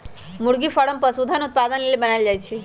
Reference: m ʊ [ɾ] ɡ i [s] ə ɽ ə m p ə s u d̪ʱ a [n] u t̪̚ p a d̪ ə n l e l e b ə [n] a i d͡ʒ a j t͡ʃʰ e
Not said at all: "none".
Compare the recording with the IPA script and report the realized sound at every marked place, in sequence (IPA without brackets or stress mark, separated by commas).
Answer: ɽ, f, n, n